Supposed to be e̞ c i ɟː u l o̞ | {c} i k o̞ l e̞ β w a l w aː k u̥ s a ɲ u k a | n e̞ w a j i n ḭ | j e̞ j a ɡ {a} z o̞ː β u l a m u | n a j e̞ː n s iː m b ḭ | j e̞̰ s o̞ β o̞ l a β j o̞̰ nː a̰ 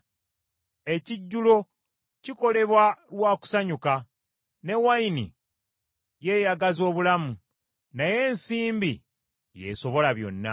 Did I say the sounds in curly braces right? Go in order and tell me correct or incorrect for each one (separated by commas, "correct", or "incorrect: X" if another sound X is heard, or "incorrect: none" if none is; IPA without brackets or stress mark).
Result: correct, correct